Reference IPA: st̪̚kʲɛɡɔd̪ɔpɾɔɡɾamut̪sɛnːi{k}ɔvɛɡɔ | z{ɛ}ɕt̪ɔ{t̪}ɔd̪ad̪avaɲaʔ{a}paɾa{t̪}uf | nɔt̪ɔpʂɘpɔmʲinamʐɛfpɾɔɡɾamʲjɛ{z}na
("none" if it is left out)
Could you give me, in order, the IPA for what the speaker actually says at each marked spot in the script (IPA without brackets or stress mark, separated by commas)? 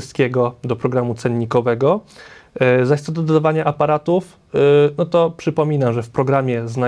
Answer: k, a, d̪, a, t̪, z